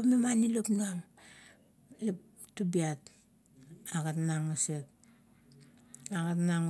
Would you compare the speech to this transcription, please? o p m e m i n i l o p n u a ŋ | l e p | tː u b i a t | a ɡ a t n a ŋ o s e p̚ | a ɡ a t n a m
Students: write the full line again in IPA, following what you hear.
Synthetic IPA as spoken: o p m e m a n i l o p n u a ŋ | l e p | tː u b i a t | a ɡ a t n a ŋ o s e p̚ | a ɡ a t n a ŋ